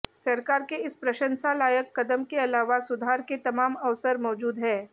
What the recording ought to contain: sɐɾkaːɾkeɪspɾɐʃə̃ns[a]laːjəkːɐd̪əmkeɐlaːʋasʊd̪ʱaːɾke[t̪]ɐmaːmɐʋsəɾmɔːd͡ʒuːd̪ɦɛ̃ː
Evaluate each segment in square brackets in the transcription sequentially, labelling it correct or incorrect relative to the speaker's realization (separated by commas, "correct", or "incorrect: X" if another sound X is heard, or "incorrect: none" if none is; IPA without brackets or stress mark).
correct, correct